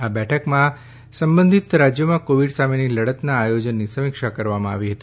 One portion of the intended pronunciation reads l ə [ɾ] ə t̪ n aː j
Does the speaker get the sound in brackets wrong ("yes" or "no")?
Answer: yes